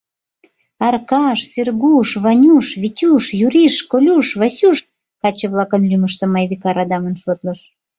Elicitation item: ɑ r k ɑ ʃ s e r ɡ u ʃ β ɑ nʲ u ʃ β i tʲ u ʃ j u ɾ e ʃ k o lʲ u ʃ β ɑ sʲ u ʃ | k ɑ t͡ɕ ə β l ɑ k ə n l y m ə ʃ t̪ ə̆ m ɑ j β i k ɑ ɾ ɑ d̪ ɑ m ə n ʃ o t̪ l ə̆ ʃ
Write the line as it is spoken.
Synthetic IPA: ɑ r k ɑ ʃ s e r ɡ u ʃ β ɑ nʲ u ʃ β i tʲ u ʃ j u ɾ i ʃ k o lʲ u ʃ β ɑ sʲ u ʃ | k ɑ t͡ɕ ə β l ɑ k ə n l y m ə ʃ t̪ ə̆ m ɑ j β i k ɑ ɾ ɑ d̪ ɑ m ə n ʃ o t̪ l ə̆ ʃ